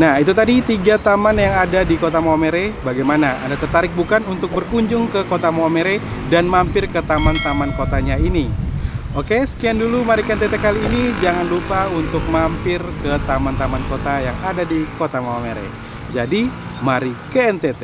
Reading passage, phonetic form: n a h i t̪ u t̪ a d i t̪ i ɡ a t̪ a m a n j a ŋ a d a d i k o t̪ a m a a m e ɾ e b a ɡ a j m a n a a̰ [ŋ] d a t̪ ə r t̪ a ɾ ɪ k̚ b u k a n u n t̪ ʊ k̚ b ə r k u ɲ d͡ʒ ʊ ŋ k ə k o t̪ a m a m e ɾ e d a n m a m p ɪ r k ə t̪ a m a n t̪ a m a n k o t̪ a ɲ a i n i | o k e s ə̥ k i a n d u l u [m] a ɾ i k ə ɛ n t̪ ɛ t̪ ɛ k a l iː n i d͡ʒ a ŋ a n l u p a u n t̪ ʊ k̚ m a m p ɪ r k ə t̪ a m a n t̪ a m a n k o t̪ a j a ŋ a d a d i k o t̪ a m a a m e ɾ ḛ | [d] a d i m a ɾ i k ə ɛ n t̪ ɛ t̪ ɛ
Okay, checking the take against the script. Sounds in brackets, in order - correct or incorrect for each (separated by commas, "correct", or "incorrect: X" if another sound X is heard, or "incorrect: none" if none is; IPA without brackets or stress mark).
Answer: incorrect: n, correct, incorrect: d͡ʒ